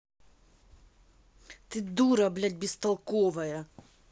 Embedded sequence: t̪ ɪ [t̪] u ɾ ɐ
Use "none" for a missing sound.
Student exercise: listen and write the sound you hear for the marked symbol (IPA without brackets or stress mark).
d̪